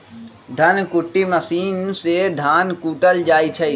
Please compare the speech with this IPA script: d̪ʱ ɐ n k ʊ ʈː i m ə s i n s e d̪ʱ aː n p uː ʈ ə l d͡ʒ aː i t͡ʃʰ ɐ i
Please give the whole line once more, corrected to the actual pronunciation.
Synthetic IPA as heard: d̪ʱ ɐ n k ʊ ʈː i m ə s iː n s e d̪ʱ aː n k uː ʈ ə l d͡ʒ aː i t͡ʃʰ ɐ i